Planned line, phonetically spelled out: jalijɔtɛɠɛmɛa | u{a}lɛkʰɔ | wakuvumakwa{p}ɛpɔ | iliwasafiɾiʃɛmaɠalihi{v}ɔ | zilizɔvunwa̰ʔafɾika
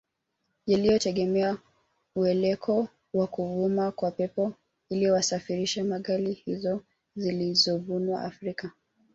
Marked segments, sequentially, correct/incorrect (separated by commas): incorrect, correct, incorrect